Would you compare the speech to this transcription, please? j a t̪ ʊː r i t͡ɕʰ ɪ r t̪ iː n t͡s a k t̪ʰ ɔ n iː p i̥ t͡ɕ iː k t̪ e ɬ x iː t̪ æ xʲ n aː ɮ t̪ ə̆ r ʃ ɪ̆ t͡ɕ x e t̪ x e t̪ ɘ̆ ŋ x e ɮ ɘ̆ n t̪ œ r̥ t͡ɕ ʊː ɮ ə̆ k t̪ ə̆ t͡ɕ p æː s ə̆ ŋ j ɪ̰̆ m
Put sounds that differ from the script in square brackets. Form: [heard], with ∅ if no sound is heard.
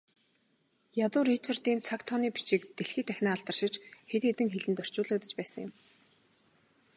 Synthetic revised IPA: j a t̪ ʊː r i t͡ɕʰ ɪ r t̪ iː n [t͡sʰ] a k t̪ʰ ɔ n iː p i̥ t͡ɕ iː k t̪ e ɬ x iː t̪ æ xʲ n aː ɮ t̪ ə̆ r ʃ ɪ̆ t͡ɕ x e t̪ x e t̪ ɘ̆ ŋ x e ɮ ɘ̆ n t̪ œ r̥ t͡ɕ ʊː ɮ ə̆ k t̪ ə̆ t͡ɕ p æː s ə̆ ŋ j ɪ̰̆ m